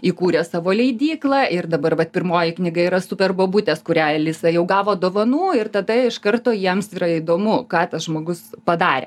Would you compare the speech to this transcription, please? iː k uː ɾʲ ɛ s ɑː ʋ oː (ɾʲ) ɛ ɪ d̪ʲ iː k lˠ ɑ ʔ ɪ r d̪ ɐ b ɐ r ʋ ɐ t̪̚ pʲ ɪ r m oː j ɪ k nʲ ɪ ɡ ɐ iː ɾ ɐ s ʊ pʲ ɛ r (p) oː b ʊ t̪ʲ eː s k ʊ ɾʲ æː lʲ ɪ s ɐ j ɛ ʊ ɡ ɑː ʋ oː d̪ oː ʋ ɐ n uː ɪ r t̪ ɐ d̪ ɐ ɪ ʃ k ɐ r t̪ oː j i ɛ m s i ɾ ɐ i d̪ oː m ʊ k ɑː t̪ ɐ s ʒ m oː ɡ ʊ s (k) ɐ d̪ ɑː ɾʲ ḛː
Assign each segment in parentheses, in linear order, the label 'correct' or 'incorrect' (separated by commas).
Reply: incorrect, incorrect, incorrect